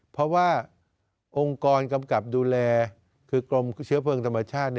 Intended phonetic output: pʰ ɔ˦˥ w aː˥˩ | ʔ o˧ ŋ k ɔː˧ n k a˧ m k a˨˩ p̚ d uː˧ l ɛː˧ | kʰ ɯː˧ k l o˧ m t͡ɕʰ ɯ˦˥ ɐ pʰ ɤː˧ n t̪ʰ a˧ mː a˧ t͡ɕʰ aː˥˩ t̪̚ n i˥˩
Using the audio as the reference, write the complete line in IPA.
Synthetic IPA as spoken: pʰ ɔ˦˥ w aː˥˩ | ʔ o˧ ŋ k ɔː˧ n k a˧ m k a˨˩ p̚ d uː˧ l ɛː˧ | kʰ ɯː˧ k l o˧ m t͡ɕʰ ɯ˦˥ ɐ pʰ ɤː˧ ŋ t̪ʰ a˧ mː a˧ t͡ɕʰ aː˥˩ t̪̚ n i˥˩